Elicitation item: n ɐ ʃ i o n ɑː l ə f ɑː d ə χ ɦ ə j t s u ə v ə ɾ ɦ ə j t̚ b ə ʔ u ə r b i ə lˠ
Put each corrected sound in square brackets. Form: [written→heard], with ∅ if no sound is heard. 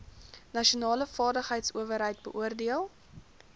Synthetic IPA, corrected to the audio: n ɐ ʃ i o n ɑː l ə f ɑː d ə χ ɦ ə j t s u ə v ə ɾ ɦ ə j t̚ b ə ʔ u ə r [b→d] i ə lˠ